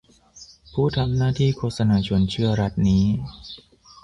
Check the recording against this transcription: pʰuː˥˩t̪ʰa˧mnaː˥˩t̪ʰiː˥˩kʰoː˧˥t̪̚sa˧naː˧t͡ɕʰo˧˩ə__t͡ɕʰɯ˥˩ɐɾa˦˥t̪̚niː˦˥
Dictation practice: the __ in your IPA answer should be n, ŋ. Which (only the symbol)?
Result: n